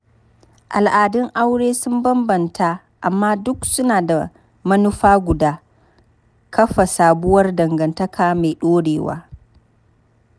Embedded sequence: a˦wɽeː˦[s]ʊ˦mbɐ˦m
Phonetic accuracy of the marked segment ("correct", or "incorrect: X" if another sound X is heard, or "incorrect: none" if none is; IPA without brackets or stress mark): correct